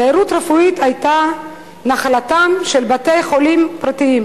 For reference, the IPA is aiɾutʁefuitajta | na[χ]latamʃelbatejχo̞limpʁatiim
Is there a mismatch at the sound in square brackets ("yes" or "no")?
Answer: no